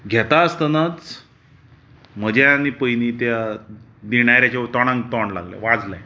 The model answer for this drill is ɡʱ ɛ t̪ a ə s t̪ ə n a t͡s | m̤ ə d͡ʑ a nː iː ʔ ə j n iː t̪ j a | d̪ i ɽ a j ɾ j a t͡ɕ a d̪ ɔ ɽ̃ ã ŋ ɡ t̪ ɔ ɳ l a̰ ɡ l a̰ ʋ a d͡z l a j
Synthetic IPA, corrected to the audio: ɡʱ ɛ t̪ a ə s t̪ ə n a t͡s | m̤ ə d͡ʑ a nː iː p ə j n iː t̪ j a | d̪ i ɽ a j ɾ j a t͡ɕ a t̪ ɔ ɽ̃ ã ŋ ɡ t̪ ɔ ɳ l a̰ ɡ l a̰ ʋ a d͡z l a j